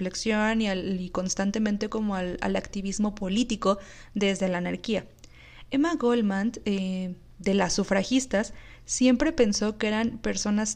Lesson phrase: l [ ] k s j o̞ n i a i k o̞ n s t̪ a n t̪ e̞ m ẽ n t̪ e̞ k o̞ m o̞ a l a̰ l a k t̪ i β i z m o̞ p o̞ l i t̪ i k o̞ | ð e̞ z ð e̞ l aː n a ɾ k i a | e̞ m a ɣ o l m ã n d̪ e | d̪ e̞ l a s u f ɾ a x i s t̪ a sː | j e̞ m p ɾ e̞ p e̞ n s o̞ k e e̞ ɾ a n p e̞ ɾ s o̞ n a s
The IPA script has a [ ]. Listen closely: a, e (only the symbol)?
e